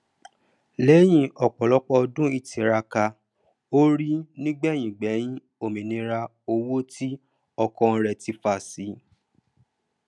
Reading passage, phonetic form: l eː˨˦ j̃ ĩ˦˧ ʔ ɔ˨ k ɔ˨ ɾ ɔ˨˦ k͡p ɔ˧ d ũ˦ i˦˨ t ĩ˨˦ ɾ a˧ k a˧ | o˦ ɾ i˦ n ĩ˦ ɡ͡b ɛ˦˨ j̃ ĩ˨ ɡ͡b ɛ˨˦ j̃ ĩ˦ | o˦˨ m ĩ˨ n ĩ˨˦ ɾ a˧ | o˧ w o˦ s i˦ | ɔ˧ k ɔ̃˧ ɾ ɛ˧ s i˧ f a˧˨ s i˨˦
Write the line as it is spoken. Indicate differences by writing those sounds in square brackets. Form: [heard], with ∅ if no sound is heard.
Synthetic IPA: l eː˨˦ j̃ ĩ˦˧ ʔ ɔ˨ [k͡p] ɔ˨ [l] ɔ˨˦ k͡p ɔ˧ d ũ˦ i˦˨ t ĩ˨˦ ɾ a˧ k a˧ | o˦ ɾ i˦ n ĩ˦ ɡ͡b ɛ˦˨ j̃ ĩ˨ ɡ͡b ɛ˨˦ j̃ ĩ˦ | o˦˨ m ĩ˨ n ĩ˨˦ ɾ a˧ | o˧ w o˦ [t] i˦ | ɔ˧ k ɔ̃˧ ɾ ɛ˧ [t] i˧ f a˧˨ s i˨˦